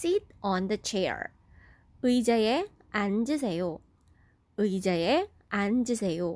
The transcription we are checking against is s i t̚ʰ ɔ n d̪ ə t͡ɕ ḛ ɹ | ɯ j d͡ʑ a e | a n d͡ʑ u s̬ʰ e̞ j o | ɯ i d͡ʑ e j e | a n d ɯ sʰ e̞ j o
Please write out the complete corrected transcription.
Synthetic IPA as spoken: s i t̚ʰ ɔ n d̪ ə t͡ɕʰ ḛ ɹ | ɯ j d͡ʑ a e | a n d͡ʑ ɯ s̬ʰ e̞ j o | ɯ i d͡ʑ a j e | a n d͡ʑ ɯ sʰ e̞ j o